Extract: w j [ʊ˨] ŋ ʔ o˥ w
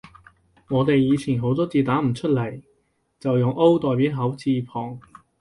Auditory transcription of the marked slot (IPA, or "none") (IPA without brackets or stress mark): ʊ˨